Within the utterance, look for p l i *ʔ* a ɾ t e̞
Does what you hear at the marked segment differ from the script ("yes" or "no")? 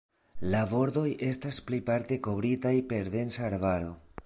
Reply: yes